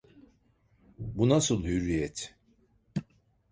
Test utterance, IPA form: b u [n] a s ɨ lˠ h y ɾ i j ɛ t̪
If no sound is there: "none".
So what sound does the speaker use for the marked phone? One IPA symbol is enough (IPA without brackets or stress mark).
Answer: n